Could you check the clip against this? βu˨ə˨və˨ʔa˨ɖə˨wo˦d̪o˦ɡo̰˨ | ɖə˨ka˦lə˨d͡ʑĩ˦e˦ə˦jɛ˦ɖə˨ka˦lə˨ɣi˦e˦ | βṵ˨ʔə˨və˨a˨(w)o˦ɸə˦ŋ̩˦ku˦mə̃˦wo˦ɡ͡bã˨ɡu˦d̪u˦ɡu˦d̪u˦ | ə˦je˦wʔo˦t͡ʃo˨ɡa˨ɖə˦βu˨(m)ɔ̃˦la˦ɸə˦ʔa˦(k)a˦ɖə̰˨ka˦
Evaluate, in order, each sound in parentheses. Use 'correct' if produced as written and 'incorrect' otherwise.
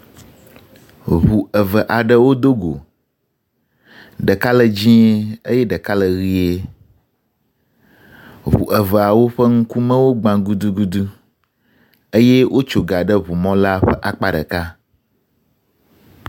correct, correct, incorrect

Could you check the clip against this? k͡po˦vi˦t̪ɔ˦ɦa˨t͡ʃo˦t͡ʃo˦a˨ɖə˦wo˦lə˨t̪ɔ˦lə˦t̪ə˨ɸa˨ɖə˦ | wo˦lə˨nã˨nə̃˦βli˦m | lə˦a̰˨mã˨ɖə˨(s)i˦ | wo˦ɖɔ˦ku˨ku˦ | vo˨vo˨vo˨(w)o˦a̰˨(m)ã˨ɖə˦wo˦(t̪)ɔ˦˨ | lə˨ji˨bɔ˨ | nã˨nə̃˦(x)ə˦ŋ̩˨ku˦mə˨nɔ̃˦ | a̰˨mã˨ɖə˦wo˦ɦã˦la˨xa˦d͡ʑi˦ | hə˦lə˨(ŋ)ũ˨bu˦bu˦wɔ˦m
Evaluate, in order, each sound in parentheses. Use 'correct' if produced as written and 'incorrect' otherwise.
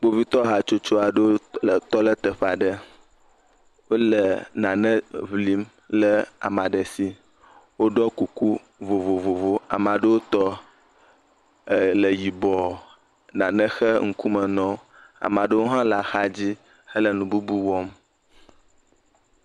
correct, incorrect, correct, correct, correct, incorrect

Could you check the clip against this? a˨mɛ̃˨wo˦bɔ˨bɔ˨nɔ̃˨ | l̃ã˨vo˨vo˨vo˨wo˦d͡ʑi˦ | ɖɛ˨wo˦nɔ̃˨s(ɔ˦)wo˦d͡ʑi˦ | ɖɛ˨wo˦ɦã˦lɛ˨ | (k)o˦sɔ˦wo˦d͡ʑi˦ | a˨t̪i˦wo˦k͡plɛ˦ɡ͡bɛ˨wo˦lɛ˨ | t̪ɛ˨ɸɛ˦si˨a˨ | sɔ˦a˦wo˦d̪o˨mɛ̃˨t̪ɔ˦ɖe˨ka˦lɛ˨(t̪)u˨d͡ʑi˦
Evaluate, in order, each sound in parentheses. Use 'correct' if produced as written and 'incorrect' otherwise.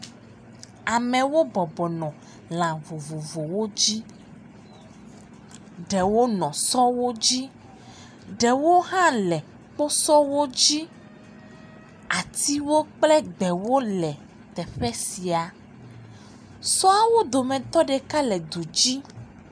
correct, incorrect, incorrect

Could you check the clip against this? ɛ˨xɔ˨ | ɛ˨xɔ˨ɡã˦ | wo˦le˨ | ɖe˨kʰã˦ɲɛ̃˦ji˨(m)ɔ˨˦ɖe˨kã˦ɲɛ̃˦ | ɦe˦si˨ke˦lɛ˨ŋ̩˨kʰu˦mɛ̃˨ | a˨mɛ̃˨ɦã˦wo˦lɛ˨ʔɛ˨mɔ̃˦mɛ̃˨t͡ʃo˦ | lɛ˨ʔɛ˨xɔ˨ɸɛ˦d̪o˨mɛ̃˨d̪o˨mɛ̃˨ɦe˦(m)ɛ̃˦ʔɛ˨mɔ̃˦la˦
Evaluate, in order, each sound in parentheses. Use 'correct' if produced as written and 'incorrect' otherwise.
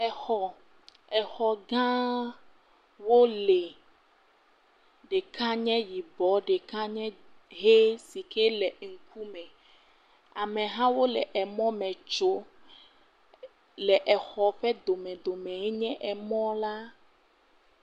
incorrect, incorrect

